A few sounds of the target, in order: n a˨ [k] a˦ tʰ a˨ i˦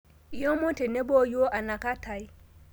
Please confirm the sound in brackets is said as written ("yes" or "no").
yes